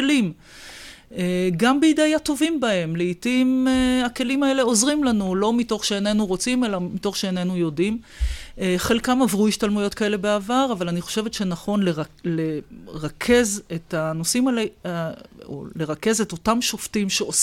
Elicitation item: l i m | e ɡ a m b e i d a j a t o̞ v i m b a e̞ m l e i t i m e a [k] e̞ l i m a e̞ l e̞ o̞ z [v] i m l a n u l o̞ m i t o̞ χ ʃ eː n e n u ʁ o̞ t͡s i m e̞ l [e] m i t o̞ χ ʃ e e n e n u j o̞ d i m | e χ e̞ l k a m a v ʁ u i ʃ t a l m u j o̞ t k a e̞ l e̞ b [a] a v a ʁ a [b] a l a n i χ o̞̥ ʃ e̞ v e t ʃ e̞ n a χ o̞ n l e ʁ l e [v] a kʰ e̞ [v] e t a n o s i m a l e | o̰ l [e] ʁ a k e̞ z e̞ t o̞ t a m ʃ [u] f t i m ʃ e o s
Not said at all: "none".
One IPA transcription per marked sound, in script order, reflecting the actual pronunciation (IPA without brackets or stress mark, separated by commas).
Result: k, ʁ, a, e, v, ʁ, z, e, o